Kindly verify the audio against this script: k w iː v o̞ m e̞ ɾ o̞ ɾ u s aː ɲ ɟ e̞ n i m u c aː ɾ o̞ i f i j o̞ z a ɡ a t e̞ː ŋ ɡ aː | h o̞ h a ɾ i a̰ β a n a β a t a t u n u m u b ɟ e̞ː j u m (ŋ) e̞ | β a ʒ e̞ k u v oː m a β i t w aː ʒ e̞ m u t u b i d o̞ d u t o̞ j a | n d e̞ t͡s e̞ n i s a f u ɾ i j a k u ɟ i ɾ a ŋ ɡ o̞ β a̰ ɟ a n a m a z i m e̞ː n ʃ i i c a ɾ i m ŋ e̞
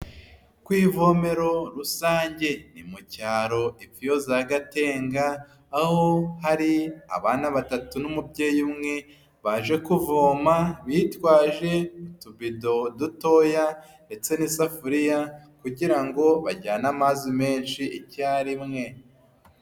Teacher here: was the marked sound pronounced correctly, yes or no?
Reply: yes